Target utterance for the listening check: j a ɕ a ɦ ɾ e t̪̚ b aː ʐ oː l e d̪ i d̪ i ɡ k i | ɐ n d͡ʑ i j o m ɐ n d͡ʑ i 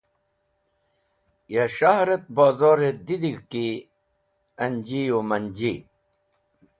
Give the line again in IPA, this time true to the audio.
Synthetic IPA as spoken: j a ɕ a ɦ ɾ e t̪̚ b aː z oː ɾ e d̪ i d̪ i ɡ k i | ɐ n d͡ʑ i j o m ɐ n d͡ʑ i

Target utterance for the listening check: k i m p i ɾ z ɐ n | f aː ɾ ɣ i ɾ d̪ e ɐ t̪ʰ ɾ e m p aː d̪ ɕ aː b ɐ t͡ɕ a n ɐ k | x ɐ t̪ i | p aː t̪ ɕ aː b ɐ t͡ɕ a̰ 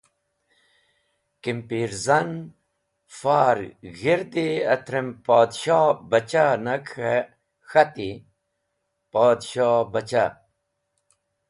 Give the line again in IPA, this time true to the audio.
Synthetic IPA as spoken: k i m p i ɾ z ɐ n | f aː ɾ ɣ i ɾ d̪ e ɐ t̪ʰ ɾ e m p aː d̪ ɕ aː b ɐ t͡ɕ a n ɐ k | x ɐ t̪ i | p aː d̪ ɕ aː b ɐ t͡ɕ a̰

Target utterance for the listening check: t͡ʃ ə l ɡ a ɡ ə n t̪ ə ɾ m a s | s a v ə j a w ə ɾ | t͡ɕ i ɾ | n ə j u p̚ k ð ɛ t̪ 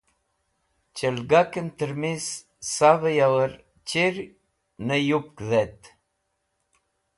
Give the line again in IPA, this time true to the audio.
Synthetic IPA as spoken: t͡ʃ ə l ɡ a k ə n t̪ ə ɾ m i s | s a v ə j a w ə ɾ | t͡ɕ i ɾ | n ə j u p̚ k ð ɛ t̪

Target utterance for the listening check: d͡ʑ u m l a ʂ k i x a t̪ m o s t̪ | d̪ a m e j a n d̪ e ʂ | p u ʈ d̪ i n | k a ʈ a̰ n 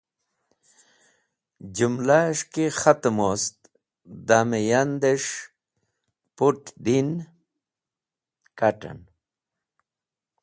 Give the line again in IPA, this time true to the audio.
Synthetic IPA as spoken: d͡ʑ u m l a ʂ k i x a t̪ m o s t̪ | d̪ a m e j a n d̪ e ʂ | p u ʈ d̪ i n | k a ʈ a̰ n

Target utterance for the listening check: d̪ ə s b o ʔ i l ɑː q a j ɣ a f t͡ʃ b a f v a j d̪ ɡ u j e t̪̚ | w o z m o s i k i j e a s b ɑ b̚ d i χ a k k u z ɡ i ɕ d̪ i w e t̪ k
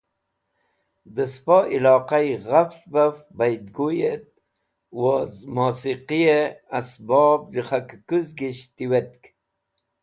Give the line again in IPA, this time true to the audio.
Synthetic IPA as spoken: d̪ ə s p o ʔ i l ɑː q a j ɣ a f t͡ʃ b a f b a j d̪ ɡ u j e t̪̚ | w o z m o s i q i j e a s b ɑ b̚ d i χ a k k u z ɡ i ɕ t̪ i w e t̪ k

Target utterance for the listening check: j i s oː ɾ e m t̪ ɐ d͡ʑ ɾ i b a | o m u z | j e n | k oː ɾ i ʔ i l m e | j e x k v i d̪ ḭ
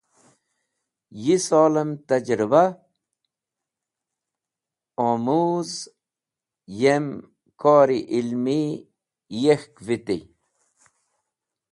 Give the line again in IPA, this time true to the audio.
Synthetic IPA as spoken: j i s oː l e m t̪ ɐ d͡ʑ ɾ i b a | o m u z | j e m | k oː ɾ i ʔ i l m i | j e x k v i t̪ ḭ

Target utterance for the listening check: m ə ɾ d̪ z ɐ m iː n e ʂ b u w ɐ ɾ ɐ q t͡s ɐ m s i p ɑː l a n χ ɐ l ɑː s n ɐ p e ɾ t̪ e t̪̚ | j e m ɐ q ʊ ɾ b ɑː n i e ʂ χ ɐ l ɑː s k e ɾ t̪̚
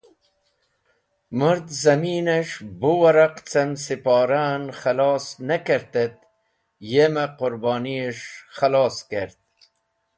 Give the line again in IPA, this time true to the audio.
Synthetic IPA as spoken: m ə ɾ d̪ z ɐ m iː n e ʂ b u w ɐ ɾ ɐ q t͡s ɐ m s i p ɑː ɾ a n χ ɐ l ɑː s n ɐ k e ɾ t̪ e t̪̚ | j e m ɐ q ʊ ɾ b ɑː n i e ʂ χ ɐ l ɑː s k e ɾ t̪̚

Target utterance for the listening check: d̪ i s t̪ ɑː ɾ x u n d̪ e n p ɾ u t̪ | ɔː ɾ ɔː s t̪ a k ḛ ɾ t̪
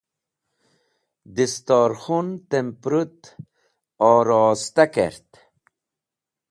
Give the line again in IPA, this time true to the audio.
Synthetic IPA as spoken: d̪ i s t̪ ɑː ɾ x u n t̪ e m p ɾ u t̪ | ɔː ɾ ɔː s t̪ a k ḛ ɾ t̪

